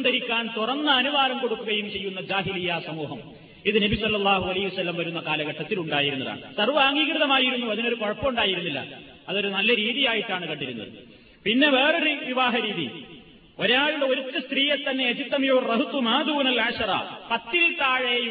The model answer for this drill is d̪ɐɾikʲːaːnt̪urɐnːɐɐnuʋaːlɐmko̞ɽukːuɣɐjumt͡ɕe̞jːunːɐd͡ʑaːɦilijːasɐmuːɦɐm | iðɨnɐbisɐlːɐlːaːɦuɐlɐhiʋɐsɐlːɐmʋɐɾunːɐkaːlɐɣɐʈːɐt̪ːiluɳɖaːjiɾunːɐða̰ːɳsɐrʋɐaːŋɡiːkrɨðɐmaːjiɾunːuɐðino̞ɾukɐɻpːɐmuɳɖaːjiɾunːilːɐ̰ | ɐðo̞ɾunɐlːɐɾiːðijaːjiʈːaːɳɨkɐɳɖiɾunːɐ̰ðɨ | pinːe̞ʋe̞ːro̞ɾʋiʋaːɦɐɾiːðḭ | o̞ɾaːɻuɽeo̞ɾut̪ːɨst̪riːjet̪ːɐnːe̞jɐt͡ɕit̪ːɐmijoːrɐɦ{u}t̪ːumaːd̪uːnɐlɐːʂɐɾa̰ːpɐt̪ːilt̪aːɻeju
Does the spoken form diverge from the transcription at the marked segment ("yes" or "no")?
no